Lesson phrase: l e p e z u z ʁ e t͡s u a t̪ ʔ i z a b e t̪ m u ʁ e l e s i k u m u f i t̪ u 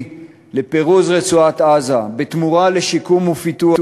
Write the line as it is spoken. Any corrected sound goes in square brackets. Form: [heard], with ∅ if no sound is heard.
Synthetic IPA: l e p e [ʁ] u z ʁ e t͡s u a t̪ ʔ [a] z a b e t̪ m u ʁ [a] l e [ʃ] i k u m u f i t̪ u